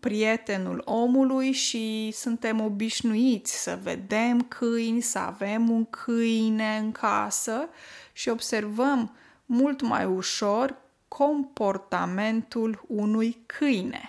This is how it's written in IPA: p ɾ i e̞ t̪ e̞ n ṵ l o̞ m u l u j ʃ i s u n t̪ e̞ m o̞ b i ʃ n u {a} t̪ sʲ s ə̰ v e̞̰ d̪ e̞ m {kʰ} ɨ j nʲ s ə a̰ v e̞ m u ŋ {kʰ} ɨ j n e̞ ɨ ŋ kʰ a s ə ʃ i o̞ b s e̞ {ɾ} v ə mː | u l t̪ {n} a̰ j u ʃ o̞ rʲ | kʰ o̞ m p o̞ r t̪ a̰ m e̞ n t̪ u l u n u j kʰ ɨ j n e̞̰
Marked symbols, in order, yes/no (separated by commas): no, yes, yes, no, no